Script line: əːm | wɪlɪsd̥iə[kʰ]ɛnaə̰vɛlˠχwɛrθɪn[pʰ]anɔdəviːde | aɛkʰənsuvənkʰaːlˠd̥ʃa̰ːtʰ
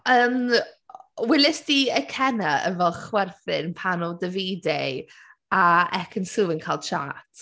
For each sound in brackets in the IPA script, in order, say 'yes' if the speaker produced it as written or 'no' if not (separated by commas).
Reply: yes, yes